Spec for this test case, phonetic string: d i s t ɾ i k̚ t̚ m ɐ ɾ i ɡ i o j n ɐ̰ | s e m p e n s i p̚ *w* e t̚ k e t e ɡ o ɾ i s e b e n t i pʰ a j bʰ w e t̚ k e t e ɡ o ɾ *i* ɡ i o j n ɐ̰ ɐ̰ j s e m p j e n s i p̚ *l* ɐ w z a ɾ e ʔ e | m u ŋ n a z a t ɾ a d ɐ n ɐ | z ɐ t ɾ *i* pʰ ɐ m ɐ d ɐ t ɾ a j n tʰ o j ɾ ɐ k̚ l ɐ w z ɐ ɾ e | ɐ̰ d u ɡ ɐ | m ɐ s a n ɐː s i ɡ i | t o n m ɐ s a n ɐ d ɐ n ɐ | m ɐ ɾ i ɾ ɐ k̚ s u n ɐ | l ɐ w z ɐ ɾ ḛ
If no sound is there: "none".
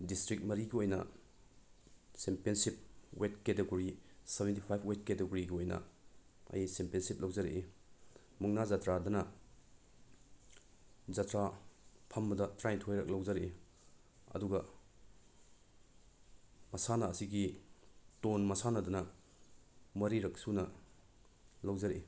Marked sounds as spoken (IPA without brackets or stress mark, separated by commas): w, i, l, a